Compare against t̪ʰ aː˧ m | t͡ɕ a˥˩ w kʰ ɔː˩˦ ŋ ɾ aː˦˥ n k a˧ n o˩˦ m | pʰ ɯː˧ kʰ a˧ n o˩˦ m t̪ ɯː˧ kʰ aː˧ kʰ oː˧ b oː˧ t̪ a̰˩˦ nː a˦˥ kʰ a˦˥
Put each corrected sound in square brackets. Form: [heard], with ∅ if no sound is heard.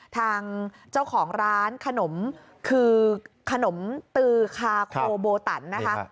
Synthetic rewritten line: t̪ʰ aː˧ [ŋ] | t͡ɕ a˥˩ w kʰ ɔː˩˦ ŋ ɾ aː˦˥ n [kʰ] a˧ n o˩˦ m | [kʰ] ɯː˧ kʰ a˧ n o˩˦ m t̪ ɯː˧ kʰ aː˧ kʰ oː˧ b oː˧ t̪ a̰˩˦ nː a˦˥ kʰ a˦˥